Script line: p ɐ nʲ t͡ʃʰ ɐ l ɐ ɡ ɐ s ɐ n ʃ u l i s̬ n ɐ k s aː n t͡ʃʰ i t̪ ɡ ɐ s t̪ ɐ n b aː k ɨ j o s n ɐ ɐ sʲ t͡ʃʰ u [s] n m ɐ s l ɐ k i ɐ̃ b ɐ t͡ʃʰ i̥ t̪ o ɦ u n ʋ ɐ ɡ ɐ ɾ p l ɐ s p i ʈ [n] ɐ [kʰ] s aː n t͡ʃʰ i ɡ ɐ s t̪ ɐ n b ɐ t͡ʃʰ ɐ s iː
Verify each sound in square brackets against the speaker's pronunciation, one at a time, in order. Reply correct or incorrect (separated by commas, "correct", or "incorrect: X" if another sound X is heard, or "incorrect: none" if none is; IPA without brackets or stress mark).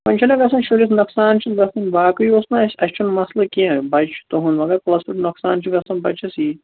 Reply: incorrect: none, correct, incorrect: k